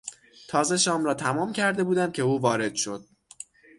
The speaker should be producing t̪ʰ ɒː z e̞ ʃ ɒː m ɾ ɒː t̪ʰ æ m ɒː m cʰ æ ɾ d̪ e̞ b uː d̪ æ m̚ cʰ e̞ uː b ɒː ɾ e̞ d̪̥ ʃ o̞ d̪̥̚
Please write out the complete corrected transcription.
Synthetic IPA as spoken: t̪ʰ ɒː z e̞ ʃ ɒː m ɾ ɒː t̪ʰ æ m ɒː m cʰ æ ɾ d̪ e̞ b uː d̪ æ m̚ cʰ e̞ uː v ɒː ɾ e̞ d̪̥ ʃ o̞ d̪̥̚